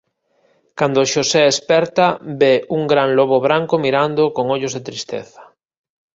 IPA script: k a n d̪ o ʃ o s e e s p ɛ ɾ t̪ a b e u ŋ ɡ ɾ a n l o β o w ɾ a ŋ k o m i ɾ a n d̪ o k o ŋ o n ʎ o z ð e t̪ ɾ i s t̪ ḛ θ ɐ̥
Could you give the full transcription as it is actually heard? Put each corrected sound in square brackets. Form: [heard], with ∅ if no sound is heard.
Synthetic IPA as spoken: k a n d̪ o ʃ o s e e s p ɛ ɾ t̪ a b e u ŋ ɡ ɾ a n l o β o [β] ɾ a ŋ k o m i ɾ a n d̪ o k o ŋ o [∅] ʎ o z ð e t̪ ɾ i s t̪ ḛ θ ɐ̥